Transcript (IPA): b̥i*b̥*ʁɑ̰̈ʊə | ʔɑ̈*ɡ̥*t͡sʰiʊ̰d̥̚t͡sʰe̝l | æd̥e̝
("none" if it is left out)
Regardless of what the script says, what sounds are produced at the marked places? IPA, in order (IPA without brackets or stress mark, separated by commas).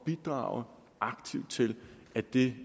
d̥, ɡ̥